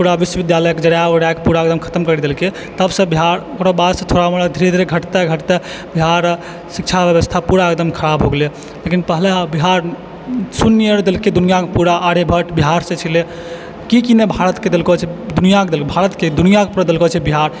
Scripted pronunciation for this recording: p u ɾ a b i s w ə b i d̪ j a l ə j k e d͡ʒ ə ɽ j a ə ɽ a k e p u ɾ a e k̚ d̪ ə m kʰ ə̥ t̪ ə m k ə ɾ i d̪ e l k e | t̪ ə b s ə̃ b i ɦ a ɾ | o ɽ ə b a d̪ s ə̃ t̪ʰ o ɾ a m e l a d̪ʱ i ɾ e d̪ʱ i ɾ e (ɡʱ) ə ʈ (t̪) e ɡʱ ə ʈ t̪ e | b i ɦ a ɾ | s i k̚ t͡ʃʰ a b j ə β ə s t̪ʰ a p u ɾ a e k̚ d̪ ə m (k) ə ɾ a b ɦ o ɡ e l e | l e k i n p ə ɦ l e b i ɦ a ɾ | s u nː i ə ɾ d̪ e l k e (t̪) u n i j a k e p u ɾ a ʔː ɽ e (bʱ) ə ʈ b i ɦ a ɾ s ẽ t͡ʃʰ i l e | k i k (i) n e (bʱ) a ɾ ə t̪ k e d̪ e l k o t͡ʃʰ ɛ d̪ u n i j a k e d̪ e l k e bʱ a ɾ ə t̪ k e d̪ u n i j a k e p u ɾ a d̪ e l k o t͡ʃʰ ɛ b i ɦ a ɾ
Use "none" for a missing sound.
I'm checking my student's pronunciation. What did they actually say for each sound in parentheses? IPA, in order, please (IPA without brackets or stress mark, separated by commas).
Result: ɡʱ, t̪, kʰ, d̪, bʱ, i, bʱ